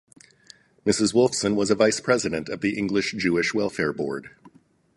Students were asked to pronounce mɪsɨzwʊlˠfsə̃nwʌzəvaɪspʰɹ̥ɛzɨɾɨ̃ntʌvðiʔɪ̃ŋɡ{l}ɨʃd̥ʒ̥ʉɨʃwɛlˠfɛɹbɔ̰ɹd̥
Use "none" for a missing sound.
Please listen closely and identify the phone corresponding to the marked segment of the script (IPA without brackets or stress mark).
l